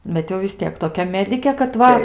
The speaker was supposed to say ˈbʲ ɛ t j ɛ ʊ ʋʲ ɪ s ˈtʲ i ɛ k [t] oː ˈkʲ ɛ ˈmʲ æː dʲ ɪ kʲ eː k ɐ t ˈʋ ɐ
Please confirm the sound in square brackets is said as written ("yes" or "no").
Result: yes